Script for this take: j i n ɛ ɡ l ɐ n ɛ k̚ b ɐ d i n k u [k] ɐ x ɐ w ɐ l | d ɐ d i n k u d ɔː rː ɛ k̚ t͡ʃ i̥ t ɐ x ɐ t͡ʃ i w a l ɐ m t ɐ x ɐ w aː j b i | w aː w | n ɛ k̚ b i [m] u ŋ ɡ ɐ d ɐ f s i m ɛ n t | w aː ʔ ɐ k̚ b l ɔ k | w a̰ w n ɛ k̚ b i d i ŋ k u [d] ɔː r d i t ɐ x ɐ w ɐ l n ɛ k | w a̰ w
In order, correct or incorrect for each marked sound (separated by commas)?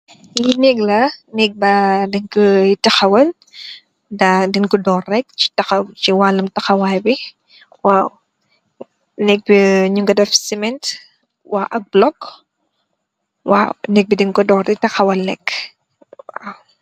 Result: incorrect, incorrect, correct